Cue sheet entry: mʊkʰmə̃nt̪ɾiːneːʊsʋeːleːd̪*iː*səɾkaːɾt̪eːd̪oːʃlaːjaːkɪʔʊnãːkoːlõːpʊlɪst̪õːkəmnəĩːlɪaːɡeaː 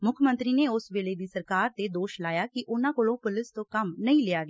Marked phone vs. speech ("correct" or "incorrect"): correct